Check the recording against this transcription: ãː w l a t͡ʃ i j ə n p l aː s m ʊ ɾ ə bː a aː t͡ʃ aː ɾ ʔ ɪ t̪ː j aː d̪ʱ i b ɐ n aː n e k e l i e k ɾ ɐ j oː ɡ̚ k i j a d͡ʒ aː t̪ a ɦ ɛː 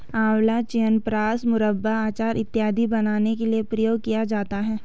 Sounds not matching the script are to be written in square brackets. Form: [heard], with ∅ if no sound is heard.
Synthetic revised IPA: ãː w l a t͡ʃ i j ə n p [ɾ] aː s m ʊ ɾ ə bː a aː t͡ʃ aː ɾ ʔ ɪ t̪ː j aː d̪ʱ i b ɐ n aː n e k e l i e [p] ɾ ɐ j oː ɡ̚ k i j a d͡ʒ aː t̪ a ɦ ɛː